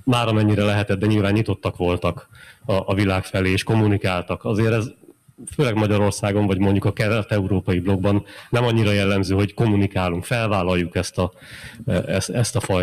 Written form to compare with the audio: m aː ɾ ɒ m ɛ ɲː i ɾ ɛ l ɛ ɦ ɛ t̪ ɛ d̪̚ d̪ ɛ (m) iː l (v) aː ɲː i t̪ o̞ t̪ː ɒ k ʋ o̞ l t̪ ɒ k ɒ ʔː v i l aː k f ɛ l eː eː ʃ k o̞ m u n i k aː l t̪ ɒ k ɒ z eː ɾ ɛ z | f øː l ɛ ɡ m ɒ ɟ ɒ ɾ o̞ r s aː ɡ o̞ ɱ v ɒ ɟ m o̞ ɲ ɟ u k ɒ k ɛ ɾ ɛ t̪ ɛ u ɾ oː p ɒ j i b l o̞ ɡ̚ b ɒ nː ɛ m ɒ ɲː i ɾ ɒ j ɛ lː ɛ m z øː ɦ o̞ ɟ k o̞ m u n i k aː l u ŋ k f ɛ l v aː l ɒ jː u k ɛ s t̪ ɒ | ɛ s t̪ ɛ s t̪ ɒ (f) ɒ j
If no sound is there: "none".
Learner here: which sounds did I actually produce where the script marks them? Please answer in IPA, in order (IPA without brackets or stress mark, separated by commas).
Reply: ɲ, v, f